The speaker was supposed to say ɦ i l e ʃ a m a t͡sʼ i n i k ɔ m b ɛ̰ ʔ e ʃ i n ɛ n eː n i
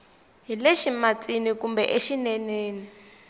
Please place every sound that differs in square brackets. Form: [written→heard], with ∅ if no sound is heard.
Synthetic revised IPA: ɦ i l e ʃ [a→i] m a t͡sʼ i n i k [ɔ→u] m b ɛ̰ ʔ e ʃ i n ɛ n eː n i